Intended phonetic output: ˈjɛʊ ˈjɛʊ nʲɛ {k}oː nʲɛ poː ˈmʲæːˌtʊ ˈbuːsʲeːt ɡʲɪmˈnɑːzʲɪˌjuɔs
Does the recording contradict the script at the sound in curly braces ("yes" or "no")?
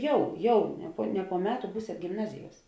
yes